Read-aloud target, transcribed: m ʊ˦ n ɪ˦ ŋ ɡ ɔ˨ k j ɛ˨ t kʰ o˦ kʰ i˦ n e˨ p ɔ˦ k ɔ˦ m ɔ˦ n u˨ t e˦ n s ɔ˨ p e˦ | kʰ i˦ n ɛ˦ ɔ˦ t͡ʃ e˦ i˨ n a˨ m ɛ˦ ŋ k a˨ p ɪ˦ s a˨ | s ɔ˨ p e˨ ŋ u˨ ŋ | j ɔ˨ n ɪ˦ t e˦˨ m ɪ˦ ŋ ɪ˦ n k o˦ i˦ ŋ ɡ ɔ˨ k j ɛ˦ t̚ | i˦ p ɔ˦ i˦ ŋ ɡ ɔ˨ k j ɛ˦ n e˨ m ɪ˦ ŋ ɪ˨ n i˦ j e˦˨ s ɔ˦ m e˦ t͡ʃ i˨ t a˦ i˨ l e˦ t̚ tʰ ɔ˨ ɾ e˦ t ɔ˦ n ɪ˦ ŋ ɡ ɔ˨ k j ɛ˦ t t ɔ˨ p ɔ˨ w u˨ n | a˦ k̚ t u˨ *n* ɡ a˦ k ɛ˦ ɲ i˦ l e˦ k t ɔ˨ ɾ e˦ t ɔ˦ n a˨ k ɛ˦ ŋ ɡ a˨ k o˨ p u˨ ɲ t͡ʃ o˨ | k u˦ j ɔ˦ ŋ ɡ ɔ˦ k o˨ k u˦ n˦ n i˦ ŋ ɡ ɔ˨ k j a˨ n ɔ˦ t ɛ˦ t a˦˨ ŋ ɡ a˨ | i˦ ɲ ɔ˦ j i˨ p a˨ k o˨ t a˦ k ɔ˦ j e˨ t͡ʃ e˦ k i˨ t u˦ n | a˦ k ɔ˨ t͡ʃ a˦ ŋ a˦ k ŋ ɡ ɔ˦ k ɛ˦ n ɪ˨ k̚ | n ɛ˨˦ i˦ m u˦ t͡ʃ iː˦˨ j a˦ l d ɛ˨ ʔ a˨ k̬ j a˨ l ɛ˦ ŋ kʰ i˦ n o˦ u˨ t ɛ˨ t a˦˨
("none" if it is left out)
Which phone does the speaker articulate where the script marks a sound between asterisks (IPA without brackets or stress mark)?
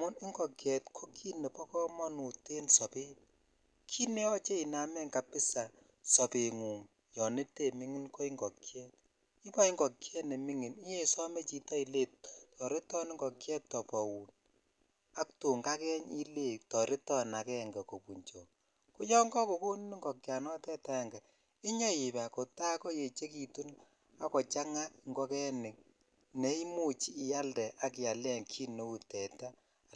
ŋ